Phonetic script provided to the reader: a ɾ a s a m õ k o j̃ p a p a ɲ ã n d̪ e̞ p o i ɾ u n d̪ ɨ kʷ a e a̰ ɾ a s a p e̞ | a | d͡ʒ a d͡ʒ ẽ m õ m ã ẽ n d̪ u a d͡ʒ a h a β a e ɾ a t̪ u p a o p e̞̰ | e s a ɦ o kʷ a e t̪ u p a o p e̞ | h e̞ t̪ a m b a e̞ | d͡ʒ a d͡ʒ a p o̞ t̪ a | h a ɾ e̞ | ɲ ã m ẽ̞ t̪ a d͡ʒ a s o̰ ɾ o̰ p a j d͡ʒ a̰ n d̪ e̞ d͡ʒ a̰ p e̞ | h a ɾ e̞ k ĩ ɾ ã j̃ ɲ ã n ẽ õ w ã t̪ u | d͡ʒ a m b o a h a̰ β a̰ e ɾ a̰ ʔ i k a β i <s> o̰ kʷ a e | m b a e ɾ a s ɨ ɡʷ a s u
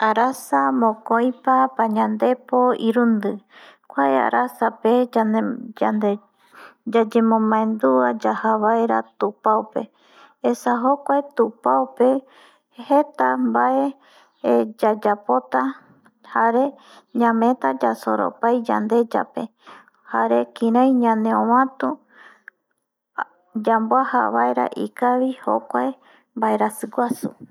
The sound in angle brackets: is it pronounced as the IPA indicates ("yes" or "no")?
no